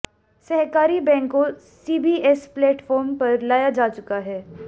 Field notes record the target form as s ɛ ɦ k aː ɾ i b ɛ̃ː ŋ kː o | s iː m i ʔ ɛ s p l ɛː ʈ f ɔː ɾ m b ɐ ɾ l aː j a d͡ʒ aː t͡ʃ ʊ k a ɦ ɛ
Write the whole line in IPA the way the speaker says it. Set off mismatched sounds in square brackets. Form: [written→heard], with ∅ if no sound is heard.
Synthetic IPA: s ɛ ɦ k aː ɾ i b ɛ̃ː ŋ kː o | s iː [m→b] i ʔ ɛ s p l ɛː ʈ f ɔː ɾ m [b→p] ɐ ɾ l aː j a d͡ʒ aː t͡ʃ ʊ k a ɦ [ɛ→ɛː]